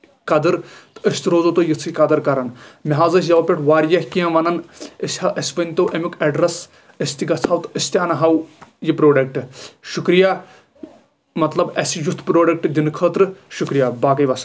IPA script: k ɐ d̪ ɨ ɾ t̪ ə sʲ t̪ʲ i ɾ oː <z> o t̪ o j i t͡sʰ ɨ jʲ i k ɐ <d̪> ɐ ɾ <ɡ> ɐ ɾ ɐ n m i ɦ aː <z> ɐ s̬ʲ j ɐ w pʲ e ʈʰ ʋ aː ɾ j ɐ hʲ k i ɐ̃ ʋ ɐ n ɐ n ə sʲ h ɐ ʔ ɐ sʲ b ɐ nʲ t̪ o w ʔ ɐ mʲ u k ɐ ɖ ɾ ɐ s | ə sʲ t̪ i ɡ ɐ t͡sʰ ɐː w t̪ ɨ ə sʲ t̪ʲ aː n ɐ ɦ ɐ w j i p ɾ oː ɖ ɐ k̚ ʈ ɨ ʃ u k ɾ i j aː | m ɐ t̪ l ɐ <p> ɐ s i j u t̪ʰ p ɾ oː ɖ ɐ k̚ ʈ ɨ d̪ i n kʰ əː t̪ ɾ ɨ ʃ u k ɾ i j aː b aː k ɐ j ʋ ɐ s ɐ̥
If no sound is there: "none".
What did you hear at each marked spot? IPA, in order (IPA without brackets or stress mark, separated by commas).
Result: z, d̪, k, z, b